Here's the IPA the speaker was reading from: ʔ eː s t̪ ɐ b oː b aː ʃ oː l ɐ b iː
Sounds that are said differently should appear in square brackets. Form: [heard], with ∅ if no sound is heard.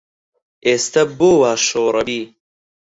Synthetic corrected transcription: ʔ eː s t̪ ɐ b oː [w] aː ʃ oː [ɾ] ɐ b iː

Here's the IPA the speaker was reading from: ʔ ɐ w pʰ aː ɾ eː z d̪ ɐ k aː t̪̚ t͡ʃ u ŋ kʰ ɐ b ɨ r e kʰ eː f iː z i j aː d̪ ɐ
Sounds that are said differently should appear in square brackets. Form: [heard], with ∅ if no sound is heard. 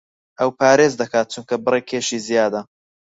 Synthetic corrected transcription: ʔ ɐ w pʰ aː ɾ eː z d̪ ɐ k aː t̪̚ t͡ʃ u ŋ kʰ ɐ b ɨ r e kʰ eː [ʃ] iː z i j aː d̪ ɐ

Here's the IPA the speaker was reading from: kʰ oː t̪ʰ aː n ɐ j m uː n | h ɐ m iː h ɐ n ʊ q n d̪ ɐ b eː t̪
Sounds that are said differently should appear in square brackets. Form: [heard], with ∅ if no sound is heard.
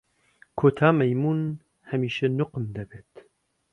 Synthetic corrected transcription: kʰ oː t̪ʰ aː [m] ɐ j m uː n | h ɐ m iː [ʃ] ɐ n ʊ q [m] d̪ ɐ b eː t̪

